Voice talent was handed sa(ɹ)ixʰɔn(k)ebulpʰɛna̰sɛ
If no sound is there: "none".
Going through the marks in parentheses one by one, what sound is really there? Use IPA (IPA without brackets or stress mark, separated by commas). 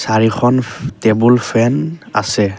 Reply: ɹ, t